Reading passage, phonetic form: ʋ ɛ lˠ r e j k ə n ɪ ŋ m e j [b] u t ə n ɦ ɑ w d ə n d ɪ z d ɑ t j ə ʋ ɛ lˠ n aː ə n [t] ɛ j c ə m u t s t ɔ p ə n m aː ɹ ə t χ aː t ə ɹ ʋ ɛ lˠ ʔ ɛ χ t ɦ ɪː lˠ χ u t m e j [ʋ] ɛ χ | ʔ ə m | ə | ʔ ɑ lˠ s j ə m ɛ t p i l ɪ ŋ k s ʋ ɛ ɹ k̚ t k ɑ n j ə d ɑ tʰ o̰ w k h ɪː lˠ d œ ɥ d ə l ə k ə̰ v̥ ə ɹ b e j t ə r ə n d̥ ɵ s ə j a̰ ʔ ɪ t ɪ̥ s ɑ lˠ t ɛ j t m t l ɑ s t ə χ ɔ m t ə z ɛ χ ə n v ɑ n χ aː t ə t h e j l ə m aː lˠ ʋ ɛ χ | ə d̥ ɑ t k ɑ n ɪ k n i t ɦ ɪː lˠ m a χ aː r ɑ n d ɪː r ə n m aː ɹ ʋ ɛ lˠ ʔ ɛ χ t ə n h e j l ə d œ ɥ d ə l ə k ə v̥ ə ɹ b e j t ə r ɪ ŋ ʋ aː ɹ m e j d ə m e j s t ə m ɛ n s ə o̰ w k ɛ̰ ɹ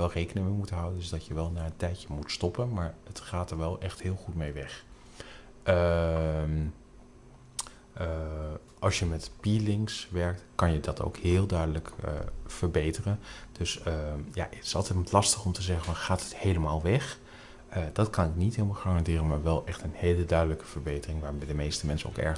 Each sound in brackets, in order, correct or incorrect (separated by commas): incorrect, correct, correct